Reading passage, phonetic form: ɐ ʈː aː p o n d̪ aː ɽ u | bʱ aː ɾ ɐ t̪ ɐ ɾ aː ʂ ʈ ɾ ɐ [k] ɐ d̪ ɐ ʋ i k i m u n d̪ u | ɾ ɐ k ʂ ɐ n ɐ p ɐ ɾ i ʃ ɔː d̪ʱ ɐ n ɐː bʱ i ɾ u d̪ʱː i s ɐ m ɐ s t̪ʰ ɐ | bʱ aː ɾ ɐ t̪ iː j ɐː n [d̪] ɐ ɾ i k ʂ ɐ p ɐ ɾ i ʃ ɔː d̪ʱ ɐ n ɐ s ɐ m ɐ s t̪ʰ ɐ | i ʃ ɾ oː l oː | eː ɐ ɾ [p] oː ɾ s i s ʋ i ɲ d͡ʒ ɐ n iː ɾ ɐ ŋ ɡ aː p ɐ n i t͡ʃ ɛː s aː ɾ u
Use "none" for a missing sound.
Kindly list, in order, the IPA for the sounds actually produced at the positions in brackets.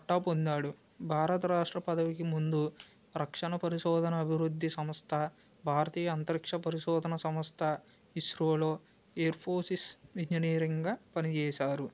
p, t̪, pʰ

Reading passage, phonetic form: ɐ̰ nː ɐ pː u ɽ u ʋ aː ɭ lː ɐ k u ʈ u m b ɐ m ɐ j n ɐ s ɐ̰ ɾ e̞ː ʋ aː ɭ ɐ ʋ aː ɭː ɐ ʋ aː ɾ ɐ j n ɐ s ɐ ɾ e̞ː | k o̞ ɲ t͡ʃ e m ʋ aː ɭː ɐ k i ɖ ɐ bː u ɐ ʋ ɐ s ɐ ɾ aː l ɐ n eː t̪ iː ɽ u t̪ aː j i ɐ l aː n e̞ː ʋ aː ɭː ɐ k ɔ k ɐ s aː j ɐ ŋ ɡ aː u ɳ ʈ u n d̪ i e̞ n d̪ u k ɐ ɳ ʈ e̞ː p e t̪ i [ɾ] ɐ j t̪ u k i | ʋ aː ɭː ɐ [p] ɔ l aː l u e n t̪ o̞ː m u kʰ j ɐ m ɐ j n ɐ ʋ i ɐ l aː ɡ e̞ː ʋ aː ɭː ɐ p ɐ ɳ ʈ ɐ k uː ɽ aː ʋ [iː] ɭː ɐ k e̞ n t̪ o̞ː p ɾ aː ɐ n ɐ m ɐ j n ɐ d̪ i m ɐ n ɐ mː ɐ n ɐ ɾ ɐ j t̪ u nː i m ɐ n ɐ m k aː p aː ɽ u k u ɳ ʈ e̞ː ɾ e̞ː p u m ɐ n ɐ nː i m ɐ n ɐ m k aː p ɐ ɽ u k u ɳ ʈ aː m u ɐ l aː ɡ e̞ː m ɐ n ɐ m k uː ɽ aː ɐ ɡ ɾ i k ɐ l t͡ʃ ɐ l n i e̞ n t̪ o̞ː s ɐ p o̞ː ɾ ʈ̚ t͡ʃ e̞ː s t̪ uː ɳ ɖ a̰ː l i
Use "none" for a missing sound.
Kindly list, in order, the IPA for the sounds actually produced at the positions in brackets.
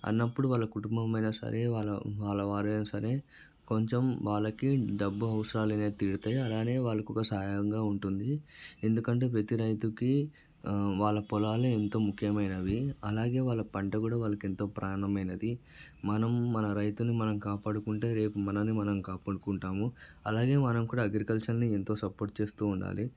ɾ, p, aː

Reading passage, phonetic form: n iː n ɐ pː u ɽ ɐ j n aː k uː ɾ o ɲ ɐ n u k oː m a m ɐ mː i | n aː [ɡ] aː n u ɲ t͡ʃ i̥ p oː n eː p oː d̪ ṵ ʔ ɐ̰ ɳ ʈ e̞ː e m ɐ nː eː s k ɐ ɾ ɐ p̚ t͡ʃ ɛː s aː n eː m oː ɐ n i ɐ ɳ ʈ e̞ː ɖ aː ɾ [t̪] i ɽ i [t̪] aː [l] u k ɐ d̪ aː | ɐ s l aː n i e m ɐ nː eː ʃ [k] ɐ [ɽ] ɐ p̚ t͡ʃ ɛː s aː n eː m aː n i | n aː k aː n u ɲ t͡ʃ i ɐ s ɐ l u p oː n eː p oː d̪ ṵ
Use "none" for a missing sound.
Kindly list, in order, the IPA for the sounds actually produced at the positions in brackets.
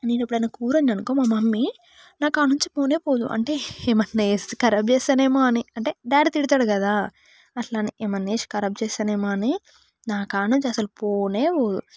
k, t̪, t̪, ɽ, k, ɾ

